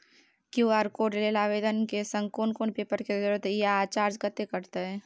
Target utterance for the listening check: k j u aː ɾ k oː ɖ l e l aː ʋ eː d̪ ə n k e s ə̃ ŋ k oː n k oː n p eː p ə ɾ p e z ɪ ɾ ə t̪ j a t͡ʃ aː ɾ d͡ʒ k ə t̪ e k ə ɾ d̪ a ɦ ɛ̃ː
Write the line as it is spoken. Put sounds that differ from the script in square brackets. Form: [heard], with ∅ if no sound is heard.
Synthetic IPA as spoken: k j u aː ɾ k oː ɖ l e l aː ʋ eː d̪ ə n k e s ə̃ ŋ k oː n k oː n p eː p ə ɾ [k] e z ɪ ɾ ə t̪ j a t͡ʃ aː ɾ d͡ʒ k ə t̪ e k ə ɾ [t̪] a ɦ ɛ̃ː

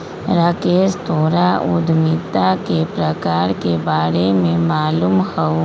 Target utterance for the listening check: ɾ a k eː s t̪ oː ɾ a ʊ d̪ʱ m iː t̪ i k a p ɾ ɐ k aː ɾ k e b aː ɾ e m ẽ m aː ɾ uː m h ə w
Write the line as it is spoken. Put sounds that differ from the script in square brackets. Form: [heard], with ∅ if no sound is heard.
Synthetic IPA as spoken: ɾ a k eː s t̪ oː ɾ a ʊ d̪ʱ m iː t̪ [a] k [e] p ɾ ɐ k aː ɾ k e b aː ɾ e m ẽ m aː [l] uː m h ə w

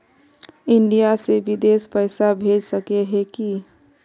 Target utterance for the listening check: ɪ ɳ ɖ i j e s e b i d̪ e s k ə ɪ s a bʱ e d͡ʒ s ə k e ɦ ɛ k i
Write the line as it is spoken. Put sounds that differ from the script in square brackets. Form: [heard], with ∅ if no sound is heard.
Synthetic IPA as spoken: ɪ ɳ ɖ i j [a] s e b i d̪ e s [p] ə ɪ s a bʱ e d͡ʒ s ə k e ɦ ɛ k i

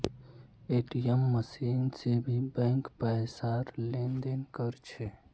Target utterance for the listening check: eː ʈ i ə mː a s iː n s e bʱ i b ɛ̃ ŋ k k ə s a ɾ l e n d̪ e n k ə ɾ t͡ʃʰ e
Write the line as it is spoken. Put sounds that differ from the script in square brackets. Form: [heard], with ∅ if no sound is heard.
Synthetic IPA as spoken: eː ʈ i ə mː [ə] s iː n s e bʱ i b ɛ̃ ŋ k [p] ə s a ɾ l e n d̪ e n k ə ɾ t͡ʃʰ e

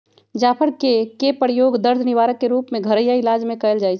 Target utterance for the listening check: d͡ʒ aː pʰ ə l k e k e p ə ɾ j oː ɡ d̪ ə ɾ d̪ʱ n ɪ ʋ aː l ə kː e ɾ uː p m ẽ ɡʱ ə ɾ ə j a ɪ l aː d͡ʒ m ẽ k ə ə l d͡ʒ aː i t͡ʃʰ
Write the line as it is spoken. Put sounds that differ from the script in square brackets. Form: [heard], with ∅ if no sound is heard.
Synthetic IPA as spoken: d͡ʒ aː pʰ ə [ɾ] k e k e p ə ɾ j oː ɡ d̪ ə ɾ d̪ʱ n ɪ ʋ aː [ɾ] ə kː e ɾ uː p m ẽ ɡʱ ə ɾ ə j a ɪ l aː d͡ʒ m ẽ k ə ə l d͡ʒ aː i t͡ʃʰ

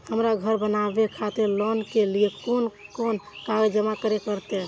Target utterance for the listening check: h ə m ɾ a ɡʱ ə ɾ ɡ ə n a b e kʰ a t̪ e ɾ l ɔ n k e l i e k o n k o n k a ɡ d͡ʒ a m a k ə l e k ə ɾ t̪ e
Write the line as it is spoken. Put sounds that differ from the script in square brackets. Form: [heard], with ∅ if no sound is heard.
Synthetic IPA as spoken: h ə m ɾ a ɡʱ ə ɾ [b] ə n a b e kʰ a t̪ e ɾ l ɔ n k e l i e k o n k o n k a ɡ d͡ʒ [ə] m a k ə [ɾ] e k ə ɾ t̪ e

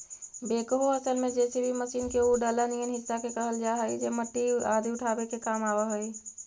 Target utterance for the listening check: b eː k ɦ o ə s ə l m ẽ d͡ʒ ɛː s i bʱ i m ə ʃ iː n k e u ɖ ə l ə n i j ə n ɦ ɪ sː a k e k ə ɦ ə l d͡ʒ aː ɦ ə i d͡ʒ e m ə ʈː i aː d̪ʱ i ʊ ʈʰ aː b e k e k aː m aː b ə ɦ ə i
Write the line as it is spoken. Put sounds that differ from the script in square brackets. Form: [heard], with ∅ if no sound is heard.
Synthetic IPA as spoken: b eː k ɦ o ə s ə l m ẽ d͡ʒ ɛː s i bʱ i m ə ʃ iː n k e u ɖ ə l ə n i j ə n ɦ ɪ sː a k e k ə ɦ ə l d͡ʒ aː ɦ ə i d͡ʒ e m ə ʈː i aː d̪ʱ i ʊ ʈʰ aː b e k e k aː m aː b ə ɦ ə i

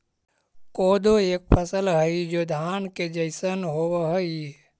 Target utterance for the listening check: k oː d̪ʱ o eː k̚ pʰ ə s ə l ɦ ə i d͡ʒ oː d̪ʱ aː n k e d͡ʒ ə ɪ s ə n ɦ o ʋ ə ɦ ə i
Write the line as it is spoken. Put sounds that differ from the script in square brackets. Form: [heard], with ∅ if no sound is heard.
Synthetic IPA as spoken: k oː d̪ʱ o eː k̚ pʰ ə s ə l ɦ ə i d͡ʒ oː d̪ʱ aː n k e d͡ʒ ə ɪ s ə n ɦ o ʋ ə ɦ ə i

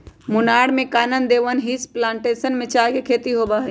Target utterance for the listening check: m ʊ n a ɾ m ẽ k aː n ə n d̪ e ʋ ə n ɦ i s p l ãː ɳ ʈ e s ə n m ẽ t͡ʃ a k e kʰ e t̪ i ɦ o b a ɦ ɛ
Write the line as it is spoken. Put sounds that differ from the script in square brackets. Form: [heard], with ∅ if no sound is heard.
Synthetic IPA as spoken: m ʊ n a [ɽ] m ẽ k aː n ə n d̪ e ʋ ə n ɦ i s p l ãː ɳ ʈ e s ə n m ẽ t͡ʃ a k e kʰ e t̪ i ɦ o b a ɦ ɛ

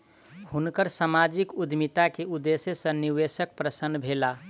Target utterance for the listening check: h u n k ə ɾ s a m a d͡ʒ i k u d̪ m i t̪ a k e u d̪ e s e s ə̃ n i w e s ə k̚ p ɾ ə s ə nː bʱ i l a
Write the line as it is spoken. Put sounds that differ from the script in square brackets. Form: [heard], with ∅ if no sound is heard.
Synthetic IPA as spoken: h u n k ə ɾ s a m a d͡ʒ i k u d̪ m i t̪ a k e u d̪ e s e s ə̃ n i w e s ə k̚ p ɾ ə s ə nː bʱ [e] l a

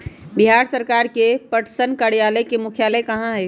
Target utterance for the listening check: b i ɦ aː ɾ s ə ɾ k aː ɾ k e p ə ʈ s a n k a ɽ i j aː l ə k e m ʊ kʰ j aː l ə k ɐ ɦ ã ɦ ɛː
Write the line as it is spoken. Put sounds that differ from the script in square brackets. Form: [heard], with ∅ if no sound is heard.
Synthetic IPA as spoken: b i ɦ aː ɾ s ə ɾ k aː ɾ k e p ə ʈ s [ə] n k a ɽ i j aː l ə k e m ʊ kʰ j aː l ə k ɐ ɦ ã ɦ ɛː

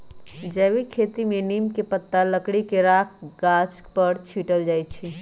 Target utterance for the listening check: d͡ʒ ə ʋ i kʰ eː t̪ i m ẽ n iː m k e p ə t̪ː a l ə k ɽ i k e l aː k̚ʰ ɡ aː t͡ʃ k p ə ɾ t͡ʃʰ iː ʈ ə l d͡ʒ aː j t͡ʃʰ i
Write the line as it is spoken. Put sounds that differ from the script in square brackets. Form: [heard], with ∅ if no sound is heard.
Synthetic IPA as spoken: d͡ʒ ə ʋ i kʰ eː t̪ i m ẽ n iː m k e p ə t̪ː a l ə k ɽ i k e [ɾ] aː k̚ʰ ɡ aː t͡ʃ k p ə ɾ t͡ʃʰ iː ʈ ə l d͡ʒ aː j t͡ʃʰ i

